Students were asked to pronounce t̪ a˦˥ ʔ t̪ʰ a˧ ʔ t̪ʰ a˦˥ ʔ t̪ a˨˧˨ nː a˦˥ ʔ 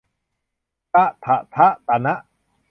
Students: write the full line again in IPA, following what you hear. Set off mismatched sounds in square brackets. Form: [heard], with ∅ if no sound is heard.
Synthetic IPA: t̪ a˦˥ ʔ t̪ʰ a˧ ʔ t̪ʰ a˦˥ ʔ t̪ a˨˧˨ [n] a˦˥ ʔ